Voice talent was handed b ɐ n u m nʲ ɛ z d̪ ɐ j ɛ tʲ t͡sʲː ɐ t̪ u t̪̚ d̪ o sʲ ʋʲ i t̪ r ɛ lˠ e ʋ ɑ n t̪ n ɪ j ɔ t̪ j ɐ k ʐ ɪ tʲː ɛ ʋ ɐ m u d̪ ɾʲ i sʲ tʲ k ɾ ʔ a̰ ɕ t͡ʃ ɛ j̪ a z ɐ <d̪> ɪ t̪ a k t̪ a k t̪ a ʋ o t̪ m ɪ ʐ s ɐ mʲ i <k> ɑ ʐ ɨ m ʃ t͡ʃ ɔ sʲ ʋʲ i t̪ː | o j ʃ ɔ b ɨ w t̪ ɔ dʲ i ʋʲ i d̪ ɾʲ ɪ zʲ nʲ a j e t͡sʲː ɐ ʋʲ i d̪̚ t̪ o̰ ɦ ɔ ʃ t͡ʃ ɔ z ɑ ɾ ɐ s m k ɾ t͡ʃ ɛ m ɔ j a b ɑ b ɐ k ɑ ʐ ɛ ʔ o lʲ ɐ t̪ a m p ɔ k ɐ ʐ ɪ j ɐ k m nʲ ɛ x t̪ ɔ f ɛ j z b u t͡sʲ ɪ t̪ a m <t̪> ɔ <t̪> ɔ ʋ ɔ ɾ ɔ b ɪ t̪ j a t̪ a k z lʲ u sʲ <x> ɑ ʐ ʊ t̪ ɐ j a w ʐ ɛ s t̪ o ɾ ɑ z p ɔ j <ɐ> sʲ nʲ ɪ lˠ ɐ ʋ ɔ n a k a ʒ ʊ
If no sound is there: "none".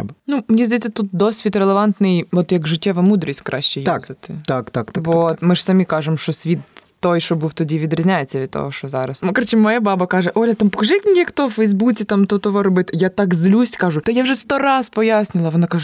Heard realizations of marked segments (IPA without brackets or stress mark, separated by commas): t̪, k, t̪, t̪, k, a